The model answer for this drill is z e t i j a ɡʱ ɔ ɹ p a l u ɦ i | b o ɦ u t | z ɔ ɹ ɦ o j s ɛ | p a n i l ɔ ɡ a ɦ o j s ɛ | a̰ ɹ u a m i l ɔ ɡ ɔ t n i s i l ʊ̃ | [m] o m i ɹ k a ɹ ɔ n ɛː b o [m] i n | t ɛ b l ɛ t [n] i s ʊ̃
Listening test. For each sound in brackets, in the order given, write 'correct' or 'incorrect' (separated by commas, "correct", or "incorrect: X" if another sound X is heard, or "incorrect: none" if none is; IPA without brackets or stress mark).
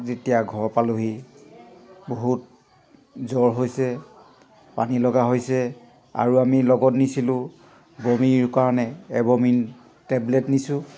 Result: incorrect: b, correct, correct